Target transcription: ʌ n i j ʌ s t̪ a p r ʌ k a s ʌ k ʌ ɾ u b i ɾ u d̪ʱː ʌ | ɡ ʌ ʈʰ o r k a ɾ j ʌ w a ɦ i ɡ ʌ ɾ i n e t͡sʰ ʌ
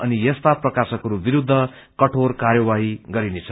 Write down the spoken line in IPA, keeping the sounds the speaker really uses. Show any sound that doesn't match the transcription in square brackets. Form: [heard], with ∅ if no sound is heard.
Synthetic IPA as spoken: ʌ n i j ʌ s t̪ a p r ʌ k a s ʌ k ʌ ɾ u b i ɾ u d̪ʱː ʌ | [k] ʌ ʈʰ o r k a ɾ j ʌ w a ɦ i ɡ ʌ ɾ i n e t͡sʰ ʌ